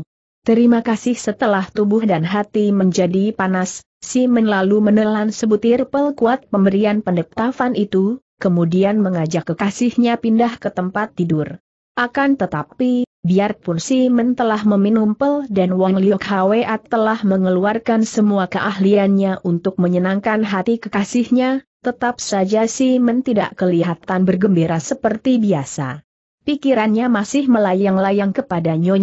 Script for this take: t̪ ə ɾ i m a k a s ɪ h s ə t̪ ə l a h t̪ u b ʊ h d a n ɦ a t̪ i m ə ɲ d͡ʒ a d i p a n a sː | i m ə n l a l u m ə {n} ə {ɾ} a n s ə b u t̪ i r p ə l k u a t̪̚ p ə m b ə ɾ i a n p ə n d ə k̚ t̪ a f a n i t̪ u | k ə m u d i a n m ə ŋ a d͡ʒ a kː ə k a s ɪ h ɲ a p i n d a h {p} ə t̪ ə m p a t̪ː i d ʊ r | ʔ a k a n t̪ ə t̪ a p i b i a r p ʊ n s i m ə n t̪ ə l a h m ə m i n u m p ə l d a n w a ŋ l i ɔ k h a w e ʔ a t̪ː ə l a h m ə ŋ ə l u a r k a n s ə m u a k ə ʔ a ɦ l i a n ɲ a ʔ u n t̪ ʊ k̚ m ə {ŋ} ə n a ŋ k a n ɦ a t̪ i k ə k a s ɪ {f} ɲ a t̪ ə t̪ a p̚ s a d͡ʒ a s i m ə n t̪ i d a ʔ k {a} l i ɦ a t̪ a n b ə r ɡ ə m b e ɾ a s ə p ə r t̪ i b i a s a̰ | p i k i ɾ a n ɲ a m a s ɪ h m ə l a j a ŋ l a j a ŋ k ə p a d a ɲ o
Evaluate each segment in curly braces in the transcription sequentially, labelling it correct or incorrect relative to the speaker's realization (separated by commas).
correct, incorrect, incorrect, incorrect, incorrect, incorrect